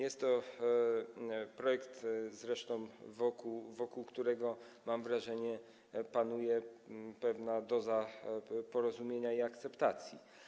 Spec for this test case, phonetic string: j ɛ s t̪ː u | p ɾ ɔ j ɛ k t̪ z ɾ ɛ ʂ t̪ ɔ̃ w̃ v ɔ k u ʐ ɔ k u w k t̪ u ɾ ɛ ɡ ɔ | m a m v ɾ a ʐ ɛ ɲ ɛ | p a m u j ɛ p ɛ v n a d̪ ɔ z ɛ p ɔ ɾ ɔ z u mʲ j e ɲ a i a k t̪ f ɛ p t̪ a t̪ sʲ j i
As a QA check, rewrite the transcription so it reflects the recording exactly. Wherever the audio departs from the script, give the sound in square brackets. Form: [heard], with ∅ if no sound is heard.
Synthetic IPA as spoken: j ɛ s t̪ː [ɔ] | p ɾ ɔ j ɛ k t̪ z ɾ ɛ ʂ t̪ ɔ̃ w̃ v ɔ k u [v] ɔ k u w k t̪ u ɾ ɛ ɡ ɔ | m a m v ɾ a ʐ ɛ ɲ ɛ | p a [n] u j ɛ p ɛ v n a d̪ ɔ z [a] p ɔ ɾ ɔ z u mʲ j e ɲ a i a k t̪ [s] ɛ p t̪ a t̪ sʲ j i